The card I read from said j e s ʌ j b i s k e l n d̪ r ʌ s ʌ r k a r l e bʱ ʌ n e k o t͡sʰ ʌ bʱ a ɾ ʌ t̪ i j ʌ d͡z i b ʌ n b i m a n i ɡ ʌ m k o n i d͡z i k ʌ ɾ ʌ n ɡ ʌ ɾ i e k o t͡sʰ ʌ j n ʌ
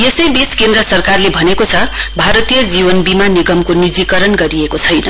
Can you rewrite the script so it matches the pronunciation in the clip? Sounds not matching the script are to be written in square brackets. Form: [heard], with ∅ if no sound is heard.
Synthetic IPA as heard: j e s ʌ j b i s k e [∅] n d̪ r ʌ s ʌ r k a r l e bʱ ʌ n e k o t͡sʰ ʌ bʱ a ɾ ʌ t̪ i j ʌ d͡z i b ʌ n b i m a n i ɡ ʌ m k o n i d͡z i k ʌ ɾ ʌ n ɡ ʌ ɾ i e k o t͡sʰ ʌ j n ʌ